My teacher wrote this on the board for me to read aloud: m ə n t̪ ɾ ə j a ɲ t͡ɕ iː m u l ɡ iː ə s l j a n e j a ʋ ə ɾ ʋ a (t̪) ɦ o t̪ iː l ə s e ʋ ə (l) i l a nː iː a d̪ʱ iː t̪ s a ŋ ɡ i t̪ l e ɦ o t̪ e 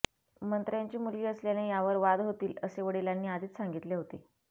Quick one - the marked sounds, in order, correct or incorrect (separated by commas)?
incorrect, incorrect